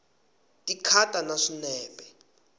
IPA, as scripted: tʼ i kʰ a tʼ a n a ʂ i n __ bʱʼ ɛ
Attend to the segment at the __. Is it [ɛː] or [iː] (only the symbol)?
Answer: ɛː